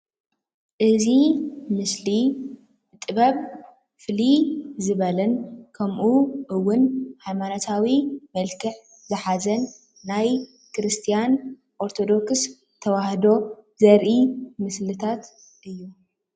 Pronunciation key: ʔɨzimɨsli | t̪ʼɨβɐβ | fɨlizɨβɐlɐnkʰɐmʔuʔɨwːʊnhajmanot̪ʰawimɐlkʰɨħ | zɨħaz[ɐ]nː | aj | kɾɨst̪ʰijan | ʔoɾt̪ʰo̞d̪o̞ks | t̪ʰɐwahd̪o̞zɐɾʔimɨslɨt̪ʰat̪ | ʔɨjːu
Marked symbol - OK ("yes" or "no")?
yes